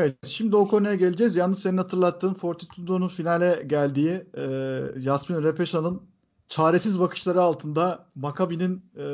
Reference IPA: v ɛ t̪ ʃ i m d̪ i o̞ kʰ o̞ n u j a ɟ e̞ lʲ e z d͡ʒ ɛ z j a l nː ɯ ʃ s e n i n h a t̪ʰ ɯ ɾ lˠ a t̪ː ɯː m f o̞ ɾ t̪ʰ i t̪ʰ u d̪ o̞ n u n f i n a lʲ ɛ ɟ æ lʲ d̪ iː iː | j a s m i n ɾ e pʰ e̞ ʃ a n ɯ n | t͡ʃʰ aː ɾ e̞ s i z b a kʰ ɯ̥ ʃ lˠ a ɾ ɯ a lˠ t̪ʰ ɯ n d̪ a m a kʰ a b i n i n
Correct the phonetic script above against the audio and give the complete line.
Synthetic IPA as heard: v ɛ t̪ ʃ i m d̪ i o̞ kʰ o̞ n u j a ɟ e̞ lʲ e d͡ʒ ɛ z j a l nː ɯ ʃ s e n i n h a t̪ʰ ɯ ɾ lˠ a t̪ː ɯː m f o̞ ɾ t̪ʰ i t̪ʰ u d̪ o̞ n u n f i n a lʲ ɛ ɟ æ lʲ d̪ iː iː | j a s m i n ɾ e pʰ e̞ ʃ a n ɯ n | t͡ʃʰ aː ɾ e̞ s i z b a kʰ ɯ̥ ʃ lˠ a ɾ ɯ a lˠ t̪ʰ ɯ n d̪ a m a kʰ a b i n i n